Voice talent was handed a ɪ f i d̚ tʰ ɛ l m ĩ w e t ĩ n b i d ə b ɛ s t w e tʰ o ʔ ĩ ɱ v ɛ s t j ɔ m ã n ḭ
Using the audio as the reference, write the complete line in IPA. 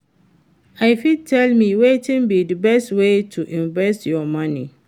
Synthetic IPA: a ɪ f i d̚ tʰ ɛ l m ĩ w e t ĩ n b i d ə b ɛ s t w e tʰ u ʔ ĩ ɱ v ɛ s t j ɔ m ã n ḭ